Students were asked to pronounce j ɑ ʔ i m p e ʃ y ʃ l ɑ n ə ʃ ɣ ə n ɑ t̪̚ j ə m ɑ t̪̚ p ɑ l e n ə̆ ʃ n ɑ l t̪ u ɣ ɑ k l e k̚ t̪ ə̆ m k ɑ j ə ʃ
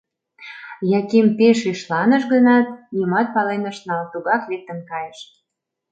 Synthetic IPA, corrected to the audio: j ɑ k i m p e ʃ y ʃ l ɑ n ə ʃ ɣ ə n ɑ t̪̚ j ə m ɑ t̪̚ p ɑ l e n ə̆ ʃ n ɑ l t̪ u ɣ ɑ k l e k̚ t̪ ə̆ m k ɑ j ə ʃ